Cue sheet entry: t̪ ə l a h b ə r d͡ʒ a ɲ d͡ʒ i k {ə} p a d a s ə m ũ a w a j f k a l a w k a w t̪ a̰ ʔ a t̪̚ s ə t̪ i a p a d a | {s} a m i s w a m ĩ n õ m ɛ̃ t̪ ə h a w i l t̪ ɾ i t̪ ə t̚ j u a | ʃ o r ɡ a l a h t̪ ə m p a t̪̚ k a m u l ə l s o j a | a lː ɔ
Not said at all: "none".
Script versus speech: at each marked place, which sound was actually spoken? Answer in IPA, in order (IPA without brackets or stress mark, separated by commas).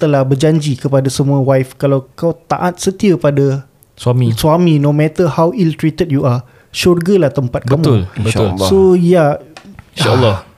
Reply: ə, s